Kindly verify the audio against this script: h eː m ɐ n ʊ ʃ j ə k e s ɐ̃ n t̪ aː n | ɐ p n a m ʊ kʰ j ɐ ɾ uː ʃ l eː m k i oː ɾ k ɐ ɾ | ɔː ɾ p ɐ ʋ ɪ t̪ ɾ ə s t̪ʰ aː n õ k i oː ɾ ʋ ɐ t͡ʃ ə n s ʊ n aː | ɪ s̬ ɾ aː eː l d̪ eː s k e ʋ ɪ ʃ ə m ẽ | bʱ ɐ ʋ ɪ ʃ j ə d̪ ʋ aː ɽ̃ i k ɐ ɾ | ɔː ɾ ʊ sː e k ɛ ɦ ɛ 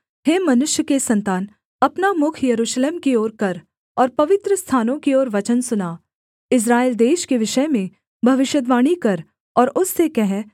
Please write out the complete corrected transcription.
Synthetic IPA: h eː m ɐ n ʊ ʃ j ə k e s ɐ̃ n t̪ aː n | ɐ p n a m ʊ kʰ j ɐ ɾ uː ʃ l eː m k i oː ɾ k ɐ ɾ | ɔː ɾ p ɐ ʋ ɪ t̪ ɾ ə s t̪ʰ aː n õ k i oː ɾ ʋ ɐ t͡ʃ ə n s ʊ n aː | ɪ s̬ ɾ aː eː l d̪ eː ʃ k e ʋ ɪ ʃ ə m ẽ | bʱ ɐ ʋ ɪ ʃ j ə d̪ ʋ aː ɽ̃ i k ɐ ɾ | ɔː ɾ ʊ sː e k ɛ ɦ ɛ